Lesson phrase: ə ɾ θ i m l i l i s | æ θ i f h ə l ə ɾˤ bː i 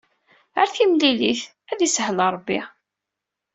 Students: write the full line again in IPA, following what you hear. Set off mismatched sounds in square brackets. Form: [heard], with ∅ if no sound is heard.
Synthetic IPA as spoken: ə ɾ θ i m l i l i [θ] | æ [ð] i [s] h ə l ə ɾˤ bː i